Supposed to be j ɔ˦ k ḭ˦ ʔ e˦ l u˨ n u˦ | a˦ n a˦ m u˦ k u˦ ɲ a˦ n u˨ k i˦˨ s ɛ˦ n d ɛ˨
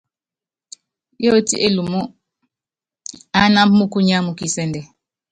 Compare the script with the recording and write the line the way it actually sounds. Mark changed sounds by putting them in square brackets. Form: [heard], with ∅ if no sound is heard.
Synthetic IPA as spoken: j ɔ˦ [t] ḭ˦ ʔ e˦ l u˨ [m] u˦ | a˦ n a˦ m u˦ k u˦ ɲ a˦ [m] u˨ k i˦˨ s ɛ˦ n d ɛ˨